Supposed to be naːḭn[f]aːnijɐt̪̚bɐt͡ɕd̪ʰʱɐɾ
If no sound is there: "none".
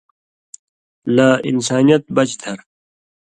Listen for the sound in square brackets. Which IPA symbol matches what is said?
s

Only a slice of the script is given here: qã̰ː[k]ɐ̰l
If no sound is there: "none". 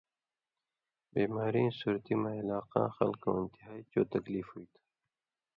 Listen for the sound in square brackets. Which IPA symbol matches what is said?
x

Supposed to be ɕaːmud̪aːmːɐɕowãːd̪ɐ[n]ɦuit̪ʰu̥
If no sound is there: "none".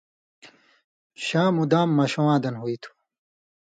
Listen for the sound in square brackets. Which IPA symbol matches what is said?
n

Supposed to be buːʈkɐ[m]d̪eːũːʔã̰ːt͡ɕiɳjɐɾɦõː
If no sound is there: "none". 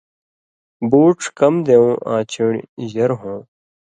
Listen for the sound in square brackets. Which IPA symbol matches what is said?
m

